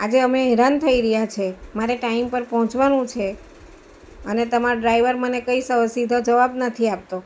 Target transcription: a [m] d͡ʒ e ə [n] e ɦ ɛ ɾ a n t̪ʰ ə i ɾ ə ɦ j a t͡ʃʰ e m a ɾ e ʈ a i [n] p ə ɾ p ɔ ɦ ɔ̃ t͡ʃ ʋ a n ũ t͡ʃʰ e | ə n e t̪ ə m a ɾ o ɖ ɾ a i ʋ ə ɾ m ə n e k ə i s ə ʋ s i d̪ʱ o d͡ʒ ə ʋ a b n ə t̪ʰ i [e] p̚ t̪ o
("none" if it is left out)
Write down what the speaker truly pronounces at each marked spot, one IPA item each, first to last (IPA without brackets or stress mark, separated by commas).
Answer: none, m, m, a